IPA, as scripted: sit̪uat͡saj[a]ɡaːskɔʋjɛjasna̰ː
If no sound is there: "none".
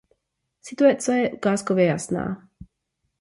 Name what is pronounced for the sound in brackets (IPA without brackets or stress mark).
ɛ